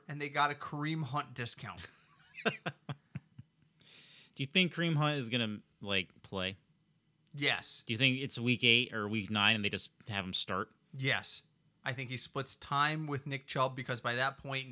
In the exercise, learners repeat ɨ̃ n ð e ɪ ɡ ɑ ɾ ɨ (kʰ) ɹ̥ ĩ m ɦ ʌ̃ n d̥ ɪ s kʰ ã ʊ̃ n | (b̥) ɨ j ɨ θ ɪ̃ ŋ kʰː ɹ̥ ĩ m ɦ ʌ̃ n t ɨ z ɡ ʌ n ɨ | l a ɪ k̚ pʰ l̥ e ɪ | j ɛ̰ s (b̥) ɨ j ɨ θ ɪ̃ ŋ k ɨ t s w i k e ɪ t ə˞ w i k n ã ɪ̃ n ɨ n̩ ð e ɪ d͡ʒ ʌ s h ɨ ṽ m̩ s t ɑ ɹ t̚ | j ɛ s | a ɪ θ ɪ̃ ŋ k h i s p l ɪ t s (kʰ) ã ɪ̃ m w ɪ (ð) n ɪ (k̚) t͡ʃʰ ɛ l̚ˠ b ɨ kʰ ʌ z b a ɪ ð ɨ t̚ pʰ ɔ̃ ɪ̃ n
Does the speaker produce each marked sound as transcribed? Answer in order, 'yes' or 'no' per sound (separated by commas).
yes, no, no, no, yes, yes